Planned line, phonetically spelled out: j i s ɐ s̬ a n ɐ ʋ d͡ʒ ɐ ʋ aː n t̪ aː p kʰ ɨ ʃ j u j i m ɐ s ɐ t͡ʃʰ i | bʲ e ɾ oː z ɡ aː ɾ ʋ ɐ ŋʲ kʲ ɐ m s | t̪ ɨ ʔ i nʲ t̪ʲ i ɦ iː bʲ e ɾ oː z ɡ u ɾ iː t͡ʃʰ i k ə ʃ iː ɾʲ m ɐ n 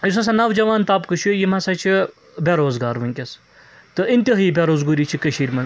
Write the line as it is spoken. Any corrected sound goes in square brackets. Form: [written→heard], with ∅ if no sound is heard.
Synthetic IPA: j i s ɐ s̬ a n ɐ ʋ d͡ʒ ɐ ʋ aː n t̪ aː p [kʰ→k] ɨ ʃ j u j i m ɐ s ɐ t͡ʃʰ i | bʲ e ɾ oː z ɡ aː ɾ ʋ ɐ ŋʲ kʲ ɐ [m→∅] s | t̪ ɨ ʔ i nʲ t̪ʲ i ɦ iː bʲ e ɾ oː z ɡ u ɾ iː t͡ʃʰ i k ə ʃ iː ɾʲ m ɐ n